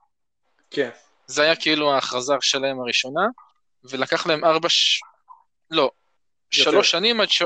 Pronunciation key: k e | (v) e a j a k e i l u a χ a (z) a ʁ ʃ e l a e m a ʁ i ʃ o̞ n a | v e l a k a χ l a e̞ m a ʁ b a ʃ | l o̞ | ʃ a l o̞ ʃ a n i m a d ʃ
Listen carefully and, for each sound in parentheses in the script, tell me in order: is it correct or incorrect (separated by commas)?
incorrect, correct